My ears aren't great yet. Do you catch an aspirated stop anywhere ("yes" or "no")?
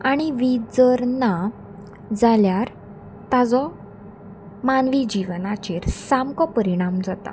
no